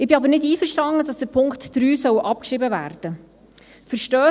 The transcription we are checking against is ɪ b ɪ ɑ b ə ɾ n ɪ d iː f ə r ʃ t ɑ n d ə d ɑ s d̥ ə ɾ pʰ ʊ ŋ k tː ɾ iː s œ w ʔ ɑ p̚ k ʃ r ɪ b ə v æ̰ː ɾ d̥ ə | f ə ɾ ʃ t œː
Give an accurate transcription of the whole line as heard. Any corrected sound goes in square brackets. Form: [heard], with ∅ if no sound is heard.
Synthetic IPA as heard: ɪ b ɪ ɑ b ə ɾ n ɪ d iː f ə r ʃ t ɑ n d ə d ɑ s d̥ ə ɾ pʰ ʊ ŋ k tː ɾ [yː] s œ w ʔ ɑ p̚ k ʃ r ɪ b ə v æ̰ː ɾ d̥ ə | f ə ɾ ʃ t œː